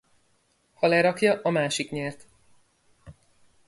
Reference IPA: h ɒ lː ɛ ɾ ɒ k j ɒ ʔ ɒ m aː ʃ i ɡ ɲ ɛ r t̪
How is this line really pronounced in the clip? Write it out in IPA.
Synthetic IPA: h ɒ l ɛ ɾ ɒ k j ɒ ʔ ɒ m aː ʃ i k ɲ ɛ r t̪